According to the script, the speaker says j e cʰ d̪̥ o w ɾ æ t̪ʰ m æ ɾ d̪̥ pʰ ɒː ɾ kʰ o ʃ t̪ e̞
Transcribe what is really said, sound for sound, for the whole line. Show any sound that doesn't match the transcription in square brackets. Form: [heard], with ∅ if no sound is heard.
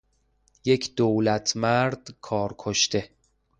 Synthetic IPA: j e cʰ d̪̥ o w [l] æ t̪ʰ m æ ɾ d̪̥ [kʰ] ɒː ɾ kʰ o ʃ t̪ e̞